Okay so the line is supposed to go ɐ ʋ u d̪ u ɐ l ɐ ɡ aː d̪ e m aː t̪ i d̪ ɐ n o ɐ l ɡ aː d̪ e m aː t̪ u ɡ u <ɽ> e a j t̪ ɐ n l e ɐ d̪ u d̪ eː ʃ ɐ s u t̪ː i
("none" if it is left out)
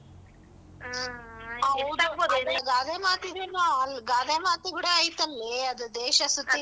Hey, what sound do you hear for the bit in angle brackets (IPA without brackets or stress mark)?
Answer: ɽ